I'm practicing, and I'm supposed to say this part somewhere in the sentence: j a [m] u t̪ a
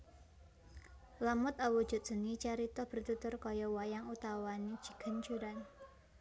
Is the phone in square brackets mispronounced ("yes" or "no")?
yes